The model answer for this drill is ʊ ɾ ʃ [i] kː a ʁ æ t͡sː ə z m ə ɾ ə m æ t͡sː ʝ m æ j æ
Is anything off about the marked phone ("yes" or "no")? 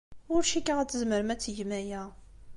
no